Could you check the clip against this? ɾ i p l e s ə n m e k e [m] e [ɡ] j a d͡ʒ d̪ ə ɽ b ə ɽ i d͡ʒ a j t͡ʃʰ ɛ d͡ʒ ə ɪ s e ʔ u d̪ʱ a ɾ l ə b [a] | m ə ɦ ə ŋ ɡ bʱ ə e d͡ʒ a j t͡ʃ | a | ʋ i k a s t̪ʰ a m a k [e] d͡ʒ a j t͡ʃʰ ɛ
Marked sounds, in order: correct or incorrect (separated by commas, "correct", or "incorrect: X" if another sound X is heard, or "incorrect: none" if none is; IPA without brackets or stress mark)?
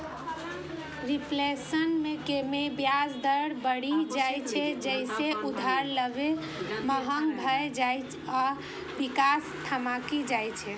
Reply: correct, incorrect: b, incorrect: e, incorrect: i